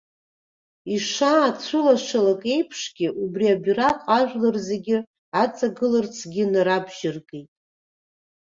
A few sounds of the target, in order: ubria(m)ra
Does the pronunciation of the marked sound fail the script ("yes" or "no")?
yes